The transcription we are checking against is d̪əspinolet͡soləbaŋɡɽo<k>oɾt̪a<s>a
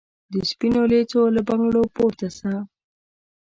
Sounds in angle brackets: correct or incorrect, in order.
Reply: incorrect: p, correct

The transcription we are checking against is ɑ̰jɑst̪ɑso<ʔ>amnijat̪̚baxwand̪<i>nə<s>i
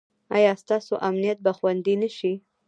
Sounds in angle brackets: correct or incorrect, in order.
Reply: correct, correct, incorrect: ʃ

